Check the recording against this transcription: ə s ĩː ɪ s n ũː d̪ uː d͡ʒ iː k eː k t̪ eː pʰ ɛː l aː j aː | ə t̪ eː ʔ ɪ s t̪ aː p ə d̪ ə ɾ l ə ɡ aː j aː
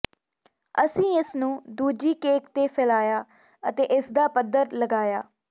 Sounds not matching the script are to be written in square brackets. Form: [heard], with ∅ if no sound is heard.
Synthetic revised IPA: ə s ĩː ɪ s n ũː d̪ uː d͡ʒ iː k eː k t̪ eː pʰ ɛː l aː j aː | ə t̪ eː ʔ ɪ s [d̪] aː p ə d̪ ə ɾ l ə ɡ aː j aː